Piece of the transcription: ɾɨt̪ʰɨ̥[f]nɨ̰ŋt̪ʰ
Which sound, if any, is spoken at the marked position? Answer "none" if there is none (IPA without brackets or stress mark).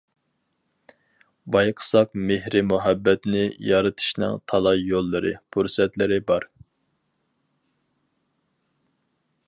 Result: ʃ